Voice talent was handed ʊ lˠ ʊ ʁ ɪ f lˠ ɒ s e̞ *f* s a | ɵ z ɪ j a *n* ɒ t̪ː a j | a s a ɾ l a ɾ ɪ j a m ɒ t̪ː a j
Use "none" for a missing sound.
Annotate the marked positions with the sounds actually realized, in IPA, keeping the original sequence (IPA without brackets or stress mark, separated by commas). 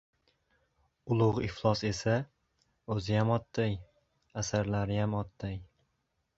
none, m